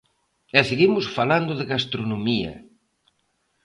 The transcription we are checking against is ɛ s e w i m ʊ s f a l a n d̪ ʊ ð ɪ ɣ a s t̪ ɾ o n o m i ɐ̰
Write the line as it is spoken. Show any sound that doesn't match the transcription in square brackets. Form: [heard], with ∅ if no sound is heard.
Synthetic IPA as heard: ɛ s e [ɣ] i m ʊ s f a l a n d̪ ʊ ð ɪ ɣ a s t̪ ɾ o n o m i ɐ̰